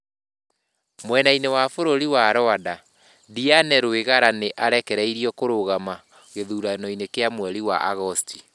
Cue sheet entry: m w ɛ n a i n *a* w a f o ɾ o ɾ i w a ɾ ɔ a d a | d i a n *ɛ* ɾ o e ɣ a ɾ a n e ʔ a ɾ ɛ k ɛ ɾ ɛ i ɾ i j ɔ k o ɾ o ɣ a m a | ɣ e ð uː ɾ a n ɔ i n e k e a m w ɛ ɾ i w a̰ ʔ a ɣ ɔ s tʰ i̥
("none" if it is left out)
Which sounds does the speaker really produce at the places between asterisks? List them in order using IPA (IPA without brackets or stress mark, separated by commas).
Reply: e, ɛ